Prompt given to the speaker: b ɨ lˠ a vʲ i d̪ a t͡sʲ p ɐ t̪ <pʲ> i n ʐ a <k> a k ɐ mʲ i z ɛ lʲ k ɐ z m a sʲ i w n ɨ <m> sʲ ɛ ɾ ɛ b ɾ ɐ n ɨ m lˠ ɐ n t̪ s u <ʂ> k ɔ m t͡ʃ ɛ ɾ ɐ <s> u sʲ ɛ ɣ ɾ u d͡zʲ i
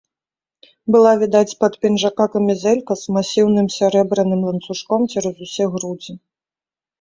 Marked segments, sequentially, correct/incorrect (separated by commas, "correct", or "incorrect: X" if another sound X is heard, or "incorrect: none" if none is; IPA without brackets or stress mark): correct, correct, correct, correct, incorrect: z